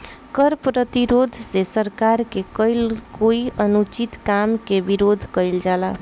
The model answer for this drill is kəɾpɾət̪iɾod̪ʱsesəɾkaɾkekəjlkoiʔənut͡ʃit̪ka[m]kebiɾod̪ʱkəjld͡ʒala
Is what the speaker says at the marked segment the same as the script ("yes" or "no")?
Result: yes